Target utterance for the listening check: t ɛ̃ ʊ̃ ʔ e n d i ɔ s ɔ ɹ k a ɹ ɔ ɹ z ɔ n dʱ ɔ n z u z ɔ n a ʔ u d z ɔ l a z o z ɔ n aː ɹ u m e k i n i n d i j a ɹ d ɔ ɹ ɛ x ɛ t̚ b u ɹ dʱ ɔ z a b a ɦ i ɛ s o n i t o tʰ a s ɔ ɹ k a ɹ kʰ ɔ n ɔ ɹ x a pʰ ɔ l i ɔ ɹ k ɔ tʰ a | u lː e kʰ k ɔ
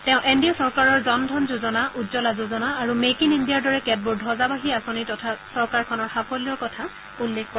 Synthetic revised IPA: t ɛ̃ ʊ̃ ʔ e n d i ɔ s ɔ ɹ k a ɹ ɔ ɹ z ɔ n dʱ ɔ n z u z ɔ n a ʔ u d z ɔ l a z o z ɔ n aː ɹ u m e k i n i n d i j a ɹ d ɔ ɹ ɛ k ɛ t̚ b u ɹ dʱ ɔ z a b a ɦ i a s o n i t ɔ tʰ a s ɔ ɹ k a ɹ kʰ ɔ n ɔ ɹ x a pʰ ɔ l i ɔ ɹ k ɔ tʰ a | u lː e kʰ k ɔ